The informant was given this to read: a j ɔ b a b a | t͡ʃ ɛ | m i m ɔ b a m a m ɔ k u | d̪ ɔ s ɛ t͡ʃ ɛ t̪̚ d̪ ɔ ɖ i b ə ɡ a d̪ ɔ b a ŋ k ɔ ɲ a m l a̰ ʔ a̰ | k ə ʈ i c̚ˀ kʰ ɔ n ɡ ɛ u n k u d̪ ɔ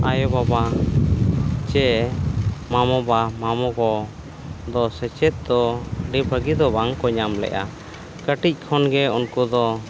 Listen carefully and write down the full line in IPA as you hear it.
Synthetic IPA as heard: a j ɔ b a b a | t͡ʃ ɛ | m a m ɔ b a m a m ɔ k ɔ | d̪ ɔ s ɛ t͡ʃ ɛ t̪̚ d̪ ɔ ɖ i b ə ɡ i d̪ ɔ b a ŋ k ɔ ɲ a m l ɛ̰ ʔ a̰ | k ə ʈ i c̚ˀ kʰ ɔ n ɡ ɛ u n k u d̪ ɔ